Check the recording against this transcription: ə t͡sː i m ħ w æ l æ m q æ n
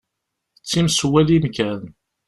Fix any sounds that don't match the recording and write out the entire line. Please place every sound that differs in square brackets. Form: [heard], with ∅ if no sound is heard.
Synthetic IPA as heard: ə t͡sː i m [s] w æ l [i] m [k] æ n